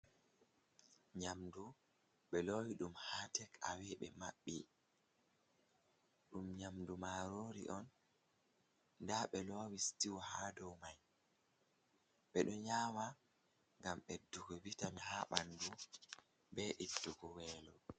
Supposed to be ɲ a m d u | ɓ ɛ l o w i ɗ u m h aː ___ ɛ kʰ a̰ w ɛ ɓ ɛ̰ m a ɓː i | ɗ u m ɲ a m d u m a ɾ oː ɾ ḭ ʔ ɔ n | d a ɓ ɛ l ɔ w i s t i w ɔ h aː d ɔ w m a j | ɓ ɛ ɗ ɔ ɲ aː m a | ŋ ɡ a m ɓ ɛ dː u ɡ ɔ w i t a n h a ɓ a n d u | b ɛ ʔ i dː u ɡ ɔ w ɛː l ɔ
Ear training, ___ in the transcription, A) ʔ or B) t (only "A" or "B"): B